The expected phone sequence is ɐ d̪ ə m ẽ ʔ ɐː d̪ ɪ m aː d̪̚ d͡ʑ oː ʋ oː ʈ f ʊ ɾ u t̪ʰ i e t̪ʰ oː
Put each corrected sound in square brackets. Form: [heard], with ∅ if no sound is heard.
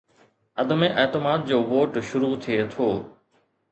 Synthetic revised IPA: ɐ d̪ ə m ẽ ʔ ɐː [t̪] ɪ m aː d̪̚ d͡ʑ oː ʋ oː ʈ [ʃ] ʊ ɾ u t̪ʰ i e t̪ʰ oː